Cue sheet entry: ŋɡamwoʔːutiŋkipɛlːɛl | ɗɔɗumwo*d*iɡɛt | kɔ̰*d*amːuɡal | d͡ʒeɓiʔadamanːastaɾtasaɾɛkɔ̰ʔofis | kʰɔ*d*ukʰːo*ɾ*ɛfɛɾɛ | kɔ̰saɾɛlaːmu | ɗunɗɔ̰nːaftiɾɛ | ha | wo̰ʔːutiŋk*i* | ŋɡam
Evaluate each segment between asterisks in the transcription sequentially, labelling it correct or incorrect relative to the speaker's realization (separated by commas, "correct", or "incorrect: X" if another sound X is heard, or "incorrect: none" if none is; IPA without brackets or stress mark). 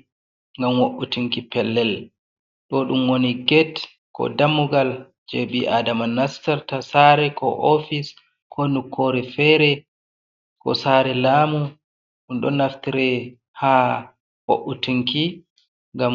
incorrect: n, correct, incorrect: n, correct, correct